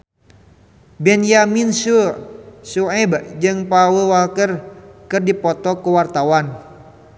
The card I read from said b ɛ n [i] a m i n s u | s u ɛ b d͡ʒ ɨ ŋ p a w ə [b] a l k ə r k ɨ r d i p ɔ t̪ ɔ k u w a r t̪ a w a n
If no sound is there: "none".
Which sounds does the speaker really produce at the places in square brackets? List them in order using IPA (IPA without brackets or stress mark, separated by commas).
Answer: j, w